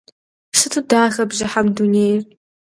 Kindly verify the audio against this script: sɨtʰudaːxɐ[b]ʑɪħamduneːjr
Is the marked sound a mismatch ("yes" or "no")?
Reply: no